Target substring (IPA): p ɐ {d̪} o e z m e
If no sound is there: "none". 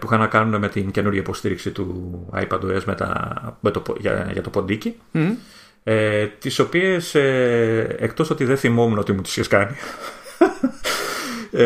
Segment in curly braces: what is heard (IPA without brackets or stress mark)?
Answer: d̪